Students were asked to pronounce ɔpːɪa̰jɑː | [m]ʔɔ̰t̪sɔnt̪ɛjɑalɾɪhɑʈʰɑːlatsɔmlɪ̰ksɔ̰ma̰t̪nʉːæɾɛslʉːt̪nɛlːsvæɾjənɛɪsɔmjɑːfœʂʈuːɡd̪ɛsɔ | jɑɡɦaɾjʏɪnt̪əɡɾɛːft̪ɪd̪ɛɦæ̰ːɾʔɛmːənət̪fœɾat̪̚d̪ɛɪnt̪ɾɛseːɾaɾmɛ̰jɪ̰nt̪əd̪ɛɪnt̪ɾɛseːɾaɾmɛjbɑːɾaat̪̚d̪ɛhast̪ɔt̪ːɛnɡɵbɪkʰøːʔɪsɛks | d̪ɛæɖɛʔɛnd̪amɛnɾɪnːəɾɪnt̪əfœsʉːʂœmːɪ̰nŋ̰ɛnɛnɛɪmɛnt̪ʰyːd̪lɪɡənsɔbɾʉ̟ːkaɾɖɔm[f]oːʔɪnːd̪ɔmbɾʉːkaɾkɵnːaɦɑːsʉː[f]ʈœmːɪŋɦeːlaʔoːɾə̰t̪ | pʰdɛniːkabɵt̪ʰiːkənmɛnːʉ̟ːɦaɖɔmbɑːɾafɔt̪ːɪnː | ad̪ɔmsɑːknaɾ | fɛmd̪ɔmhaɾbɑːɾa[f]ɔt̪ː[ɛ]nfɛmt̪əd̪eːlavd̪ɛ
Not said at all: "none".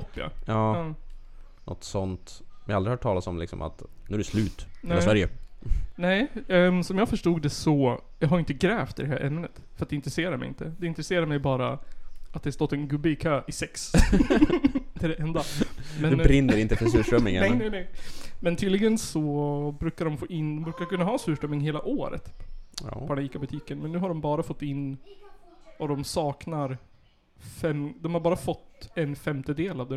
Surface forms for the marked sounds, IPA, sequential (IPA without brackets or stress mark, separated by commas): n, f, ʂ, f, ɛ